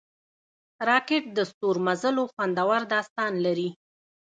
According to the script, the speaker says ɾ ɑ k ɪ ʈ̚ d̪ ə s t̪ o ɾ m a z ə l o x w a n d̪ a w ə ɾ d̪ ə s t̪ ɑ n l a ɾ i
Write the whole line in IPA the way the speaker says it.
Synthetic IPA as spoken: ɾ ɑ k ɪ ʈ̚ d̪ ə s t̪ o ɾ m a z ə l o x w a n d̪ a w a ɾ d̪ ɑ s t̪ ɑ n l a ɾ i